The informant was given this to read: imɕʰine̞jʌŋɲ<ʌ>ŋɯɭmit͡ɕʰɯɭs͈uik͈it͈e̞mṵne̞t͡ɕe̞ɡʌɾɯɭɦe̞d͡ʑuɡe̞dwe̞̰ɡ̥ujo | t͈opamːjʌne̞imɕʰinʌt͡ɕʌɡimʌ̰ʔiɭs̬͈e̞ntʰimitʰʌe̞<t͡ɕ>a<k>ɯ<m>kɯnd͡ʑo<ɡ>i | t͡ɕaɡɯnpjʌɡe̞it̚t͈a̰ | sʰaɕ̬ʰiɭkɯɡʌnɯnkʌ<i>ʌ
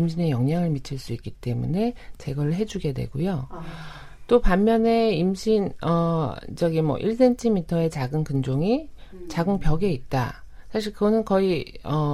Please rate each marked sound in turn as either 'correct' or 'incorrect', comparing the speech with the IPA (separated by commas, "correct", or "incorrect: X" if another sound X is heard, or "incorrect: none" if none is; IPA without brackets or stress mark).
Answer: incorrect: a, correct, incorrect: ɡ, incorrect: n, incorrect: ŋ, correct